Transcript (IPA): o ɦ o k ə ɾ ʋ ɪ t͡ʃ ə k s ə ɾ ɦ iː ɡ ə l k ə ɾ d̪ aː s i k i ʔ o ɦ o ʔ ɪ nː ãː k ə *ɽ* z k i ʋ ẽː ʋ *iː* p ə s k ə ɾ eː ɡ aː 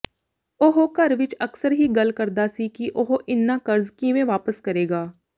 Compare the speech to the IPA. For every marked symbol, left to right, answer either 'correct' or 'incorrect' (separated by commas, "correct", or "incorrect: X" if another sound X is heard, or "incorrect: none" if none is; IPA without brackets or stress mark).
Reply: incorrect: ɾ, incorrect: aː